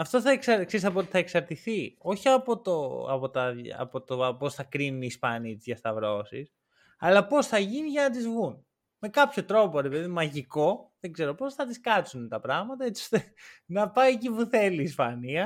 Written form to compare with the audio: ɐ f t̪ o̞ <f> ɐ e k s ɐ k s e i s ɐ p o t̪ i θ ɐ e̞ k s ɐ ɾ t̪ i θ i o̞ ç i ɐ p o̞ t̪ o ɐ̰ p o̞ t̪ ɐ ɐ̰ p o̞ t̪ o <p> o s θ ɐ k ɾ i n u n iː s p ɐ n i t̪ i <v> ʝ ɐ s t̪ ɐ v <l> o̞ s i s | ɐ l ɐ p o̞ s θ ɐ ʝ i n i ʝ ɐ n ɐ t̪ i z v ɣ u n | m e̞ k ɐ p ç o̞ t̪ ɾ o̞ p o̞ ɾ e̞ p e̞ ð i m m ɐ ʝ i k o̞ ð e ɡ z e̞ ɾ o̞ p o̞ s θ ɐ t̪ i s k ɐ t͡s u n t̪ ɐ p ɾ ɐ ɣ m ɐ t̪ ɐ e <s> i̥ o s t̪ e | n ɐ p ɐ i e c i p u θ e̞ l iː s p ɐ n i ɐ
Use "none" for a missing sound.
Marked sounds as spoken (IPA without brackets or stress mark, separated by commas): θ, p, z, ɾ, t͡s